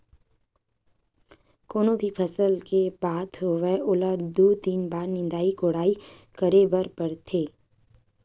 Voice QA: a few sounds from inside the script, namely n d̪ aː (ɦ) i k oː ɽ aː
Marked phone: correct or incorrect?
incorrect